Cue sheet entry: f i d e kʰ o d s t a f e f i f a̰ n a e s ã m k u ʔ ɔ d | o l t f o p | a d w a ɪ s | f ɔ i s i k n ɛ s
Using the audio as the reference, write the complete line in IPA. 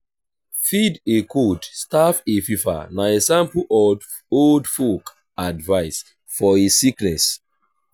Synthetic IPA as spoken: f i d e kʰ o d s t a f e f i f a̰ n a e s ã m p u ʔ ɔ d | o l d f o k | a d v a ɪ s | f ɔ i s i k n ɛ s